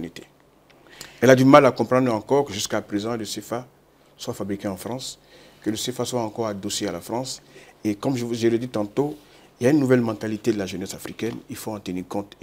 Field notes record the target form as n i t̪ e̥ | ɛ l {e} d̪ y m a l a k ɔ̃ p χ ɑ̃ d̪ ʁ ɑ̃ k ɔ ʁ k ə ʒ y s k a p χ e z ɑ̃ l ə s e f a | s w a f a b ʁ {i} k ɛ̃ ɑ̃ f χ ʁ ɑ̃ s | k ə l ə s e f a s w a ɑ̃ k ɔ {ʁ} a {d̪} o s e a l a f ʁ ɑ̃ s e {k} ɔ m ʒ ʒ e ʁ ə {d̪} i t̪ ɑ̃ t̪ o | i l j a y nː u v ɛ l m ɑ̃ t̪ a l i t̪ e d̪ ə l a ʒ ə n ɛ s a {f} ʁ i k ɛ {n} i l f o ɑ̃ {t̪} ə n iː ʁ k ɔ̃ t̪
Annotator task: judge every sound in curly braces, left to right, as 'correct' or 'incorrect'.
incorrect: a, correct, correct, correct, correct, correct, correct, correct, correct

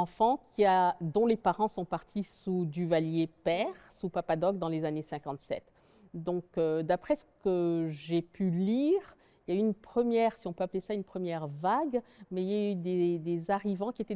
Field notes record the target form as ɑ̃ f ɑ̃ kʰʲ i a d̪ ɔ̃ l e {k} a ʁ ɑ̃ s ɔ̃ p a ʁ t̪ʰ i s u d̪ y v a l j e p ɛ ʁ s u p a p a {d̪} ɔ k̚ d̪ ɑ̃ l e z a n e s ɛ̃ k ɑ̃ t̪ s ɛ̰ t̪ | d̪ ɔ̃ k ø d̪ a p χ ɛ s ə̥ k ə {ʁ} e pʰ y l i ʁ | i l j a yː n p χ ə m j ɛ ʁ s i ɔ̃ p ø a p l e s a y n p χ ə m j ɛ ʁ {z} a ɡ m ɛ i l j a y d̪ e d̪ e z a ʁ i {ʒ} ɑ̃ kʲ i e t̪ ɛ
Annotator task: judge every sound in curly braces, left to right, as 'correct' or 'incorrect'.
incorrect: p, correct, incorrect: ʒ, incorrect: v, incorrect: v

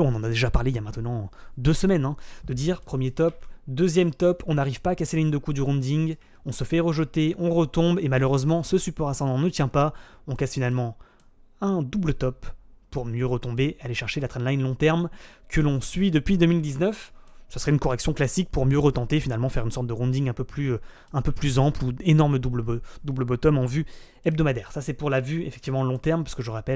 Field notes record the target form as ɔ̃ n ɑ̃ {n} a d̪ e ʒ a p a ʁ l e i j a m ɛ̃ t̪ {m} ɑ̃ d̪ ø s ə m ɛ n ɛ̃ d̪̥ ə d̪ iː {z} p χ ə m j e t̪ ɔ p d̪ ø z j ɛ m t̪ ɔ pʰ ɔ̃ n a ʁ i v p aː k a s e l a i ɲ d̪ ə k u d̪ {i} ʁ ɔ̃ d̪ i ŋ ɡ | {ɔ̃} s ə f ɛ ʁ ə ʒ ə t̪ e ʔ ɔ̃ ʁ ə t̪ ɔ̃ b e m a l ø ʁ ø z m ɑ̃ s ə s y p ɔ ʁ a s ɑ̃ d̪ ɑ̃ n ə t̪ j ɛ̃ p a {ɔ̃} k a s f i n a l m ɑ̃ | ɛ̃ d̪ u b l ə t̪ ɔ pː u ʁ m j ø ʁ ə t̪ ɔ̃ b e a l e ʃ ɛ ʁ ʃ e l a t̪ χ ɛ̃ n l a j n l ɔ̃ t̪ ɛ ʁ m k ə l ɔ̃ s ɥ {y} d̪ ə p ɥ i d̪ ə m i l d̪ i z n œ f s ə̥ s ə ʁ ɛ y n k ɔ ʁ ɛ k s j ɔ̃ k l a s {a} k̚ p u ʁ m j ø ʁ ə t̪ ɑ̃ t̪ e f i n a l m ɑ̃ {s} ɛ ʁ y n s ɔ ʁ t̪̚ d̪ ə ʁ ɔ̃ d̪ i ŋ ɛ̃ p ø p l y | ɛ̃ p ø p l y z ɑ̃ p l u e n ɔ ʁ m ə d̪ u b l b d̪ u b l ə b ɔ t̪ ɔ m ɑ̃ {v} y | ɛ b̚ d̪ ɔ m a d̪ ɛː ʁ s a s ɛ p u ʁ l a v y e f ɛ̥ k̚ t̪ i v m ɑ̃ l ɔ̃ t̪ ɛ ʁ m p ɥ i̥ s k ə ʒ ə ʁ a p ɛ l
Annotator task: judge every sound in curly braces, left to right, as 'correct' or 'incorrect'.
correct, incorrect: n, incorrect: ʁ, incorrect: y, correct, correct, incorrect: i, incorrect: i, incorrect: f, correct

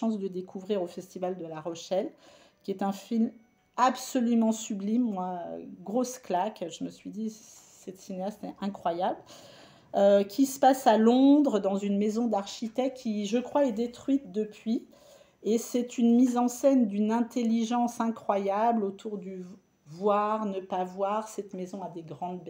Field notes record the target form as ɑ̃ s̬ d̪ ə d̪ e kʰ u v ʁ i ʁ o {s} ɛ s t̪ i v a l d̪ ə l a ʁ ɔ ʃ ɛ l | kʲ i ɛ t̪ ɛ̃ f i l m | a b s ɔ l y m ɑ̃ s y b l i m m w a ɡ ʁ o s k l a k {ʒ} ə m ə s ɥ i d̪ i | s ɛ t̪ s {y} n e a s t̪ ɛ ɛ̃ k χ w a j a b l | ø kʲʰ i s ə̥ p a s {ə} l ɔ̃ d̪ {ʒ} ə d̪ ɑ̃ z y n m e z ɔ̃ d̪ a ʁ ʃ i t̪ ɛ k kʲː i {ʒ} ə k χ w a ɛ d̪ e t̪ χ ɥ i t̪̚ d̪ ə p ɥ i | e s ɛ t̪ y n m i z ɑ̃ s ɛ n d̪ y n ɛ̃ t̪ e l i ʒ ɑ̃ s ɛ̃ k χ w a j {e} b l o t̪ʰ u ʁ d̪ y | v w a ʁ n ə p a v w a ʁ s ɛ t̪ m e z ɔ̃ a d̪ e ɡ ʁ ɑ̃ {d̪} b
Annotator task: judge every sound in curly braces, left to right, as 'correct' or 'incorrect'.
incorrect: f, correct, incorrect: i, incorrect: a, incorrect: ʁ, correct, incorrect: a, correct

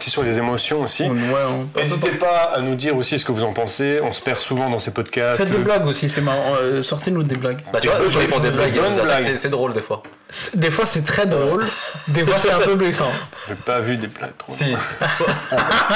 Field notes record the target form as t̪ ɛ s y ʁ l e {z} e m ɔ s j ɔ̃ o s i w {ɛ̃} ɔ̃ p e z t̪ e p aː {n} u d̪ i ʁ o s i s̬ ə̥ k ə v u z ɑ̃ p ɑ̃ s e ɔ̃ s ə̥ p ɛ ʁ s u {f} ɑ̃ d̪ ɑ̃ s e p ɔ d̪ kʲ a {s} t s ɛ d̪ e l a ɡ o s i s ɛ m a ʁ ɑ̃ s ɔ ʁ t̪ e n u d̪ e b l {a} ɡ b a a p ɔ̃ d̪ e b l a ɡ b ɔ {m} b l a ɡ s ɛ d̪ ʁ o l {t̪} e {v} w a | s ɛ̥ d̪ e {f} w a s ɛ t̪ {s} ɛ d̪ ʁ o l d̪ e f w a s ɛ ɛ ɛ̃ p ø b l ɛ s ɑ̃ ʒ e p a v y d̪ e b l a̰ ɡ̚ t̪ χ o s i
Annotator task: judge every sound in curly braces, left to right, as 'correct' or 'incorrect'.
correct, incorrect: ɛ, correct, incorrect: v, correct, correct, incorrect: n, incorrect: d̪, incorrect: f, correct, incorrect: χ

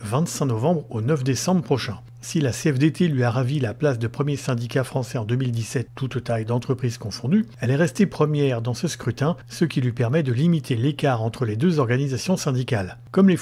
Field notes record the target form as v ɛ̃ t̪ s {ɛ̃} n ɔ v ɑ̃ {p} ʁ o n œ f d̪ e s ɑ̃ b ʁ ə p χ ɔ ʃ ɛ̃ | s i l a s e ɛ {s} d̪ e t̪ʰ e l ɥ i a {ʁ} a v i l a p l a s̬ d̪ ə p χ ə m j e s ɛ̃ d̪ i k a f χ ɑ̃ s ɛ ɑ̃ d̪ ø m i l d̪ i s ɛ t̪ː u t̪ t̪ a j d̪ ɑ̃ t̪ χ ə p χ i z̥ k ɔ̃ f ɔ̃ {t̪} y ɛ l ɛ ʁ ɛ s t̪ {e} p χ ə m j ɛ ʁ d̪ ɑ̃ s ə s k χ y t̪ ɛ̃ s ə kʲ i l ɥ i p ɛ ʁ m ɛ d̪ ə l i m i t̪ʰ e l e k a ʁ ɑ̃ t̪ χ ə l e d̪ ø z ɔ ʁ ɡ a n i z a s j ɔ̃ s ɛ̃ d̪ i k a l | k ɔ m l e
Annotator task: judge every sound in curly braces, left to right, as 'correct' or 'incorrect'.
correct, incorrect: b, incorrect: f, correct, incorrect: d̪, correct

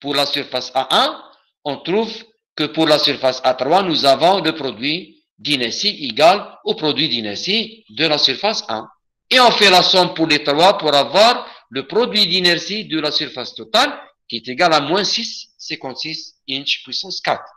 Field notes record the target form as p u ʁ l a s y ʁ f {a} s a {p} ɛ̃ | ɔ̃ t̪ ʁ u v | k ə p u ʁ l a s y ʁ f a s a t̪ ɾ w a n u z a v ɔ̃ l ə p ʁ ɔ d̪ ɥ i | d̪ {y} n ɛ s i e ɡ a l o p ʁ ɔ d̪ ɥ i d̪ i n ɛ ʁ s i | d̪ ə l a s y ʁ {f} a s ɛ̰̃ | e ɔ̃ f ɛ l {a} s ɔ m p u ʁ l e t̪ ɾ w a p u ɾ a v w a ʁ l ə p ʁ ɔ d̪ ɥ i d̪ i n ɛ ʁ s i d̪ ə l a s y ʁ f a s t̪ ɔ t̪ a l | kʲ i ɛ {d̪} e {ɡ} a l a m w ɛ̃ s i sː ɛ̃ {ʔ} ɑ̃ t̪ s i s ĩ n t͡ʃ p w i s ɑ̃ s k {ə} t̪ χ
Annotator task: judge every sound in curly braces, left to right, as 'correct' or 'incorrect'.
correct, incorrect: ʔ, incorrect: i, correct, correct, incorrect: t̪, correct, incorrect: k, incorrect: a

